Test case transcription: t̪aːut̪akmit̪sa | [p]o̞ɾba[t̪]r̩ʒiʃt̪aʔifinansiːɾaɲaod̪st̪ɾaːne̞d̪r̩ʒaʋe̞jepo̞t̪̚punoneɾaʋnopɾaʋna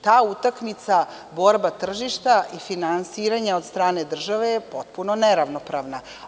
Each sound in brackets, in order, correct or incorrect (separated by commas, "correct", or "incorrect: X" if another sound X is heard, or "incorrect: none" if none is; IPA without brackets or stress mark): incorrect: b, correct